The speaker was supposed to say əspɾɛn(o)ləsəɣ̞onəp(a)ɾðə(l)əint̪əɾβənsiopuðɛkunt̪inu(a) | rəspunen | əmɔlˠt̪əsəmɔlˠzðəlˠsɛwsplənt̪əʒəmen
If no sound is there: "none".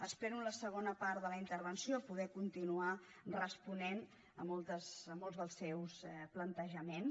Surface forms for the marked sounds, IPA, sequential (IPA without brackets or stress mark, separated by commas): u, a, l, a